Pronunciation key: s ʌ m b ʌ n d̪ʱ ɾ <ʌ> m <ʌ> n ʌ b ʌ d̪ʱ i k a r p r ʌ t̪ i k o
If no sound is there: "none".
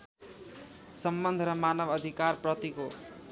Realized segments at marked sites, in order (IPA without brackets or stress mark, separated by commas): ʌ, a